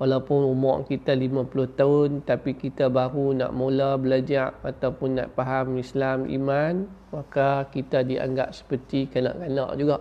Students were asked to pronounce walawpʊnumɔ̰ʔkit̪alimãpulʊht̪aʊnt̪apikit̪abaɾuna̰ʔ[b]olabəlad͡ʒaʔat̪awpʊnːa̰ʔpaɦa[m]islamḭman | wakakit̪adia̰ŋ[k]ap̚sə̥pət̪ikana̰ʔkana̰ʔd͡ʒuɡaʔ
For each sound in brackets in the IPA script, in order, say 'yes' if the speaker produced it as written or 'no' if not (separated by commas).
no, yes, no